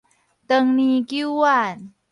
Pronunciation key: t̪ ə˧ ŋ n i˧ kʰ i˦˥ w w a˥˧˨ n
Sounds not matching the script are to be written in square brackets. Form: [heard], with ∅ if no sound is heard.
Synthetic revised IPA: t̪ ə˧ ŋ n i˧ [k] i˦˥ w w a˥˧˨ n